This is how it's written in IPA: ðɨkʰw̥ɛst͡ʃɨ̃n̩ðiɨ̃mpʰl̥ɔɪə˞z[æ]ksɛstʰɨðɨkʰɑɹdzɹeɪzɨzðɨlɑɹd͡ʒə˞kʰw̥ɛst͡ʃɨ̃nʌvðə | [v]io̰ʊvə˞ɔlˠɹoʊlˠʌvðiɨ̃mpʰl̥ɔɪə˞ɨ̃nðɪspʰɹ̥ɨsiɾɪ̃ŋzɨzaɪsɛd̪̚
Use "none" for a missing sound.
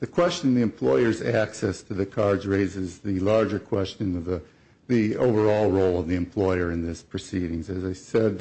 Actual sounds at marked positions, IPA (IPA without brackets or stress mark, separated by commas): æ, ð